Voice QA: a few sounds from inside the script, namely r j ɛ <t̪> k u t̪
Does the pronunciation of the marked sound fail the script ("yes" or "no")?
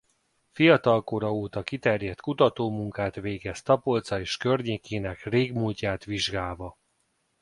no